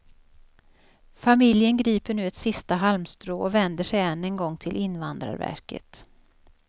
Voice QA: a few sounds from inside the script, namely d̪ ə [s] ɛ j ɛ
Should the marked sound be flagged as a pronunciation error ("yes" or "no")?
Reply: yes